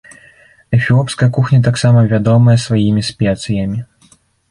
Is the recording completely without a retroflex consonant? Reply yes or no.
yes